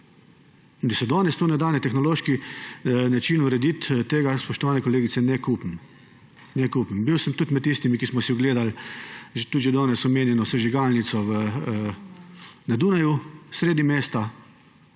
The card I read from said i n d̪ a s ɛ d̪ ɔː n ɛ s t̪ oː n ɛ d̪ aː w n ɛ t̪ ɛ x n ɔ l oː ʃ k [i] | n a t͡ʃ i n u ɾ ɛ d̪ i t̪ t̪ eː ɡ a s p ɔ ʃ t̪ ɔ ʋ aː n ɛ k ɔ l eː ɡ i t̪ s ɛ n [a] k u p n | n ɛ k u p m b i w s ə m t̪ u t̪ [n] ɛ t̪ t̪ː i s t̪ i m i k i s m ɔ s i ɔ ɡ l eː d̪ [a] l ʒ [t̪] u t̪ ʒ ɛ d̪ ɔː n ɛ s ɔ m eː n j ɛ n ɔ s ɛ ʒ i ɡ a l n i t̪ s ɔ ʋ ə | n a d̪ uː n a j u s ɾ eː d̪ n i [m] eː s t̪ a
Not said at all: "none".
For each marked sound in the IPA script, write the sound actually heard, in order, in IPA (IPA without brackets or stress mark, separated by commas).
i, ɛ, m, a, t̪, m